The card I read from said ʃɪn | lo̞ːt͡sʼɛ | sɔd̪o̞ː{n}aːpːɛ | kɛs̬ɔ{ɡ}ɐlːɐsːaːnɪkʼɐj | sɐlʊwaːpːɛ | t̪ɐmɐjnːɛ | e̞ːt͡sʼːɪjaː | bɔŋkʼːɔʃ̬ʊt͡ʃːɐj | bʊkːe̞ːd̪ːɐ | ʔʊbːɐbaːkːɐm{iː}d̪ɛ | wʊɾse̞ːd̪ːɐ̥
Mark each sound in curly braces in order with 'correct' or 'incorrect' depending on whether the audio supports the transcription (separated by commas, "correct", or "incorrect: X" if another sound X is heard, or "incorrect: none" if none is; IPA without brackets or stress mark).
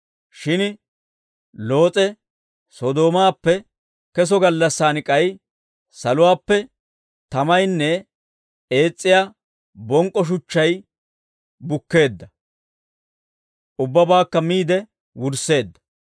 incorrect: m, correct, correct